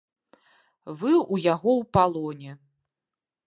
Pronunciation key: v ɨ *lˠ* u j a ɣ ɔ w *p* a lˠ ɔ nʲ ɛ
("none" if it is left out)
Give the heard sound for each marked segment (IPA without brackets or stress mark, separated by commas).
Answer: none, p